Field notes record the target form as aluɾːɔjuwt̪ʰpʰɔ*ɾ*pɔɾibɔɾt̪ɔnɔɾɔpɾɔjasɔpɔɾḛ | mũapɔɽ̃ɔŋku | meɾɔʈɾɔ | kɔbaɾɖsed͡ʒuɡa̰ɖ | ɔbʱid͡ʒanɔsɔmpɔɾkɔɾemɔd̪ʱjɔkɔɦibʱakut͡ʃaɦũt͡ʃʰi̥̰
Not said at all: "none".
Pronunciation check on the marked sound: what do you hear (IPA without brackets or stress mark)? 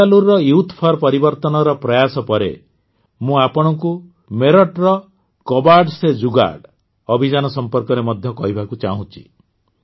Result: ɾ